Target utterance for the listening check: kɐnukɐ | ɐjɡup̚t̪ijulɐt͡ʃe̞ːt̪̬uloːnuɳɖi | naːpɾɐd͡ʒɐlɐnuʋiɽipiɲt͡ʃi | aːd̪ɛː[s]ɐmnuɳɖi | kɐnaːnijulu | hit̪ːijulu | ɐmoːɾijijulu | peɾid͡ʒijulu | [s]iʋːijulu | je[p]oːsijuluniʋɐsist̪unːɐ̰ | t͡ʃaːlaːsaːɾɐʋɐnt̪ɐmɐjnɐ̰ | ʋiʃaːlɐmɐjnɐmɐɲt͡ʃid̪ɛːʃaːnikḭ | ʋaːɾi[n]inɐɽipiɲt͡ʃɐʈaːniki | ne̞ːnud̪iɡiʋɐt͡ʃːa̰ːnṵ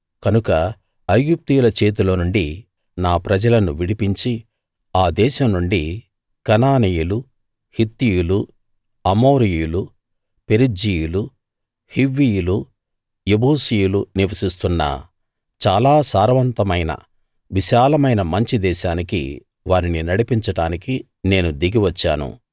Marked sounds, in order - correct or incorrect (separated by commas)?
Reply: incorrect, incorrect, incorrect, correct